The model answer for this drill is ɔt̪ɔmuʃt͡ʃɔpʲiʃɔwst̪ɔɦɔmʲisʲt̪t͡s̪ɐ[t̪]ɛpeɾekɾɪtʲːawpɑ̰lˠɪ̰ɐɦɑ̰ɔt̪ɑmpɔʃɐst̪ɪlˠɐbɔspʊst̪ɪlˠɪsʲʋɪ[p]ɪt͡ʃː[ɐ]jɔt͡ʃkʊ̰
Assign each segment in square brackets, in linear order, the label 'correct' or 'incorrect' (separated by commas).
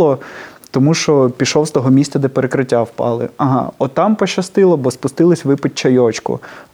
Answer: incorrect, correct, correct